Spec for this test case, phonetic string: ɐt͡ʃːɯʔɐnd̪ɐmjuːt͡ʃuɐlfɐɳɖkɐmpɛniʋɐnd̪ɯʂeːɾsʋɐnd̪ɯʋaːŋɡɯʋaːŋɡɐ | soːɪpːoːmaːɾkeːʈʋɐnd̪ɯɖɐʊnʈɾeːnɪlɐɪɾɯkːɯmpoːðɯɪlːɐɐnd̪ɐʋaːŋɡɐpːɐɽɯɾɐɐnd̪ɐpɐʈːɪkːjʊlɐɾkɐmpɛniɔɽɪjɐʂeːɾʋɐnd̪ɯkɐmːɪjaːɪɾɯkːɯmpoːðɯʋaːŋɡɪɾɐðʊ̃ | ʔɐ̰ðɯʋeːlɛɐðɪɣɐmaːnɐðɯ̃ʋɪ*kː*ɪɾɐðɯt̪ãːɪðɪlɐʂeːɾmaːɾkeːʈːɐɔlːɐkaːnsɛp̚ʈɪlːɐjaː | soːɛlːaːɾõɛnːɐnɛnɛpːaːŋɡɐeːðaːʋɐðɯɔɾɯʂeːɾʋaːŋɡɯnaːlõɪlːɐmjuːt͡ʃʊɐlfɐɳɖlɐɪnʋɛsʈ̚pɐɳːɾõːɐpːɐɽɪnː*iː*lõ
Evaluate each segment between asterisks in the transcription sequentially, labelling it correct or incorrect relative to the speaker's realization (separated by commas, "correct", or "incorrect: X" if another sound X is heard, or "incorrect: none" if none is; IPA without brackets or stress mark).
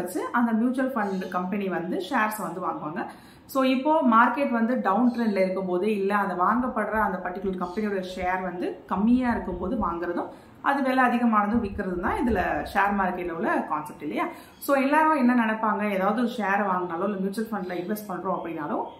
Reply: correct, incorrect: aː